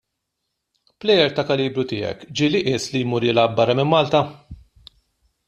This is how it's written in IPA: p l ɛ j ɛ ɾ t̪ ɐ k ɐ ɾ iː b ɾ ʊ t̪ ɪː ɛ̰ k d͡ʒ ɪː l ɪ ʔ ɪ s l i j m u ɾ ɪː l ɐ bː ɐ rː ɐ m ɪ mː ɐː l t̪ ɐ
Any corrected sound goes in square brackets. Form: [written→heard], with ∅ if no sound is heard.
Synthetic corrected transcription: p l ɛ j ɛ ɾ t̪ ɐ k ɐ [ɾ→l] iː b ɾ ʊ t̪ ɪː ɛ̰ k d͡ʒ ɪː l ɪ ʔ ɪ s l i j m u ɾ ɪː l ɐ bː ɐ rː ɐ m ɪ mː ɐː l t̪ ɐ